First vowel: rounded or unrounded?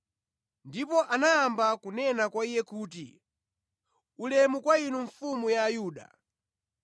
unrounded